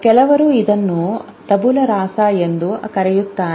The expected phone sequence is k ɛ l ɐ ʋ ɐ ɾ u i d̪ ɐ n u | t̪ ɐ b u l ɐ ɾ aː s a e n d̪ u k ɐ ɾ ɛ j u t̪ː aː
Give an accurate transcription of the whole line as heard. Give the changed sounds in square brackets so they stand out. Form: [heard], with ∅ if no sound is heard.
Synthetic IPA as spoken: k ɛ l ɐ ʋ ɐ ɾ u i d̪ ɐ [nː] u | t̪ ɐ b u l ɐ ɾ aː s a e n d̪ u k ɐ ɾ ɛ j u t̪ː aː